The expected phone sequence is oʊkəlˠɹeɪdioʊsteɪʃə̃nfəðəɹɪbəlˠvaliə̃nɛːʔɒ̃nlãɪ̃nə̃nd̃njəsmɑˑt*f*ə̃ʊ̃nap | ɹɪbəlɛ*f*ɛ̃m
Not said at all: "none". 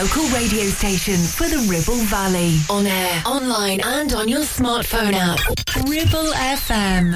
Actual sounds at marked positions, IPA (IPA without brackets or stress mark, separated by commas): f, f